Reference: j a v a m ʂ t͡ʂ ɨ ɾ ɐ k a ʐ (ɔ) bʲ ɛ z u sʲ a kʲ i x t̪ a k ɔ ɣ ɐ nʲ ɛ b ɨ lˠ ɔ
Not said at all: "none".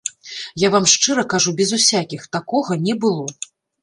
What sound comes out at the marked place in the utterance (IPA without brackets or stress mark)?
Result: u